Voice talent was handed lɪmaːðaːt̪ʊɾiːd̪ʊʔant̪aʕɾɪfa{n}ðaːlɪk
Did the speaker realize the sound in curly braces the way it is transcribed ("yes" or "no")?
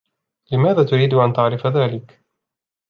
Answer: no